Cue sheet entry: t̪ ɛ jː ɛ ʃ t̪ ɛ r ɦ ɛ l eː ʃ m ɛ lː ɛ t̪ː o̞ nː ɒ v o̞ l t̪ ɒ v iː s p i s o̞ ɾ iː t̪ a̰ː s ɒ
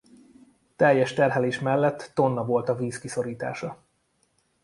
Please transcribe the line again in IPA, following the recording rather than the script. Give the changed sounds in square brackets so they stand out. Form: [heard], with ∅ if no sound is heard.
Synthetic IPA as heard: t̪ ɛ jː ɛ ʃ t̪ ɛ r ɦ ɛ l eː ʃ m ɛ lː ɛ t̪ː o̞ nː ɒ v o̞ l t̪ ɒ v iː s [k] i s o̞ ɾ iː t̪ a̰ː [ʃ] ɒ